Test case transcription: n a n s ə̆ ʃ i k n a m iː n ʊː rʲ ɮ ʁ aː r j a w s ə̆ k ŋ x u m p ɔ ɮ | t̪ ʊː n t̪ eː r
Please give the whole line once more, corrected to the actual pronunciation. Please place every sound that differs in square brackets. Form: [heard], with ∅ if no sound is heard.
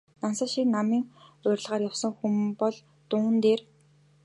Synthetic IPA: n a n s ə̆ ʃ i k n a m iː [ŋ] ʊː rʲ ɮ ʁ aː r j a w s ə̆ [∅] ŋ x u m p ɔ ɮ | t̪ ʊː n t̪ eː r